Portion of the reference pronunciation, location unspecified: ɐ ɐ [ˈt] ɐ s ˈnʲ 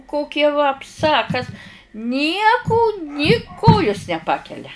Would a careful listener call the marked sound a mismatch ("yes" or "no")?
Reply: yes